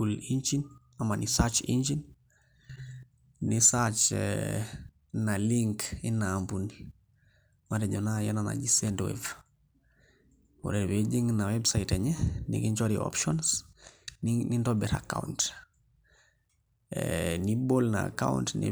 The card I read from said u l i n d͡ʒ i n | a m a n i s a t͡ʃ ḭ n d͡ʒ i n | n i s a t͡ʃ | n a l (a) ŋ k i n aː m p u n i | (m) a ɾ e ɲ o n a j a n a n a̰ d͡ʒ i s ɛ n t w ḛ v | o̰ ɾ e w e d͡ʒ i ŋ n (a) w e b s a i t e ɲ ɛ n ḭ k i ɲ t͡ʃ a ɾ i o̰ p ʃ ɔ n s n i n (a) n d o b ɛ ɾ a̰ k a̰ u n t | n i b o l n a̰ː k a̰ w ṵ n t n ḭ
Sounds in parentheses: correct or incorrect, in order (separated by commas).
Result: incorrect, correct, correct, incorrect